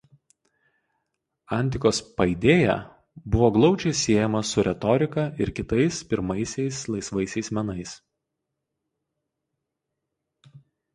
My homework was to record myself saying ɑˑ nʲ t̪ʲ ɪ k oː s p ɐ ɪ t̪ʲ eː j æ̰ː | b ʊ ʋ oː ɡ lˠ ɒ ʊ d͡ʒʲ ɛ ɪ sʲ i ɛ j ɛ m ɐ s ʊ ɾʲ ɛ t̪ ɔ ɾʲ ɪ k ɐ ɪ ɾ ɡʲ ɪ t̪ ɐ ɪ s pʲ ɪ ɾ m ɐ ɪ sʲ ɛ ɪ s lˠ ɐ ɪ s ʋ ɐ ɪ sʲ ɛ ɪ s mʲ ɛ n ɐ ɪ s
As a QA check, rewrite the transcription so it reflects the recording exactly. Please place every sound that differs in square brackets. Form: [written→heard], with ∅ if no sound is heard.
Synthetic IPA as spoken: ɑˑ nʲ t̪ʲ ɪ k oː s p ɐ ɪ [t̪ʲ→d̪ʲ] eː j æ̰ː | b ʊ ʋ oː ɡ lˠ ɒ ʊ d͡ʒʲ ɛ ɪ sʲ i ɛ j ɛ m ɐ s ʊ ɾʲ ɛ t̪ ɔ ɾʲ ɪ k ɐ ɪ ɾ [ɡʲ→kʲ] ɪ t̪ ɐ ɪ s pʲ ɪ ɾ m ɐ ɪ sʲ ɛ ɪ s lˠ ɐ ɪ s ʋ ɐ ɪ sʲ ɛ ɪ s mʲ ɛ n ɐ ɪ s